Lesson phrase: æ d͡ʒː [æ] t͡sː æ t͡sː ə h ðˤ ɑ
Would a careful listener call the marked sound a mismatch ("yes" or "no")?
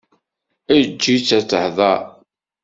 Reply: yes